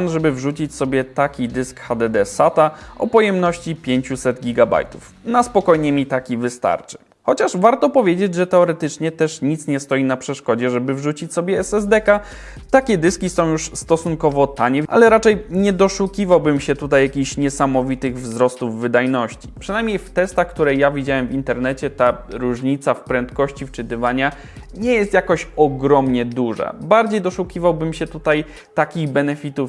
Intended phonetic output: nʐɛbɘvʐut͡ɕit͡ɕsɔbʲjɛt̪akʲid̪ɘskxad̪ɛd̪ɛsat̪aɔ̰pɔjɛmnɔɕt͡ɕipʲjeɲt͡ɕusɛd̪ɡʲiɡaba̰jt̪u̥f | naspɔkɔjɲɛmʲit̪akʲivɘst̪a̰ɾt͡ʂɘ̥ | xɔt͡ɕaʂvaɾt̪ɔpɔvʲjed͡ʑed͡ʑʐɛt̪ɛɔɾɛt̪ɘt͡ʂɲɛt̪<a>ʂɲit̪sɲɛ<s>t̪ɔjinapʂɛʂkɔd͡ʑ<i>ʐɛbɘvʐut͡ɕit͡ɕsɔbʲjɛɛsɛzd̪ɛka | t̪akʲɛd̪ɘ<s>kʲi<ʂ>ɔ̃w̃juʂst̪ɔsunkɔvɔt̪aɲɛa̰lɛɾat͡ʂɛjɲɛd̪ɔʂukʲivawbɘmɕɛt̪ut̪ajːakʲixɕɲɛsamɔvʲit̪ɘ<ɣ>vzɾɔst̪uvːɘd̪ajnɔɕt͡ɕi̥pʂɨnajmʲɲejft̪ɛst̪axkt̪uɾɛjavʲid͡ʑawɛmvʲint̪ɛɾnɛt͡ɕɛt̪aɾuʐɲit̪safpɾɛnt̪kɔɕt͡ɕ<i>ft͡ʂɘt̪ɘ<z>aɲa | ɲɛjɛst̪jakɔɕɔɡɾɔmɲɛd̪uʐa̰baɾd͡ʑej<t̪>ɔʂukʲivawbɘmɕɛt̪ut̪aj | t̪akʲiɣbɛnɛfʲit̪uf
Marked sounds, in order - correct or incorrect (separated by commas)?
incorrect, correct, incorrect, correct, incorrect, correct, correct, incorrect, incorrect